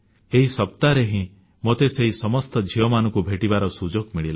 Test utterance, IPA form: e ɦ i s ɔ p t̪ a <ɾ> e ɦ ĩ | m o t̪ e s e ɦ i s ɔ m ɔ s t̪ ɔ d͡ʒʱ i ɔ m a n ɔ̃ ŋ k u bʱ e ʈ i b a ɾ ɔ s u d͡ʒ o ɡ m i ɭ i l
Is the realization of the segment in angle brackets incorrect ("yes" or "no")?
no